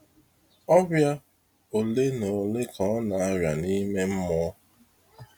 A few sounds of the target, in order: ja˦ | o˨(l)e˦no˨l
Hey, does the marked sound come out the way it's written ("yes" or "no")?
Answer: yes